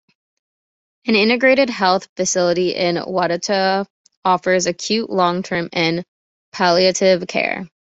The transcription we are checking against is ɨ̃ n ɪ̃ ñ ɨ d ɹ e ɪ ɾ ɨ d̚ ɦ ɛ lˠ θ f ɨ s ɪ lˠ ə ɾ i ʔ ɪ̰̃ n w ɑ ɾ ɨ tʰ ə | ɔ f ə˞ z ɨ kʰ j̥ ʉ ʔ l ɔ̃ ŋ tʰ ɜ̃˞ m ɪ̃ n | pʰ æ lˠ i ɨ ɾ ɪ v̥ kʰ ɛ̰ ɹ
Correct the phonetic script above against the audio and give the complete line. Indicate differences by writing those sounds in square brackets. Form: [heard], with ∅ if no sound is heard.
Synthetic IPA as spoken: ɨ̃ n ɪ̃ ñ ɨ [ɡ] ɹ e ɪ ɾ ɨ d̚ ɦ ɛ lˠ θ f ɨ s ɪ lˠ ə ɾ i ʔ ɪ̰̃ n w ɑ ɾ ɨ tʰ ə | ɔ f ə˞ z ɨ kʰ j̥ ʉ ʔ l ɔ̃ ŋ tʰ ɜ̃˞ m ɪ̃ n | pʰ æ lˠ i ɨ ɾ ɪ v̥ kʰ ɛ̰ ɹ